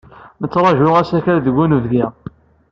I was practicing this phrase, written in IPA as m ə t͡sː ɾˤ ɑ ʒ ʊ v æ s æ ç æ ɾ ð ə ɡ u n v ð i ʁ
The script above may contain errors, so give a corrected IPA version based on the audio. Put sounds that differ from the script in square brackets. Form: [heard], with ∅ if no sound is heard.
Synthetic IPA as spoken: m ə t͡sː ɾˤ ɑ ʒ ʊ [ʁ] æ s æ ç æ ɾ ð ə ɡ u n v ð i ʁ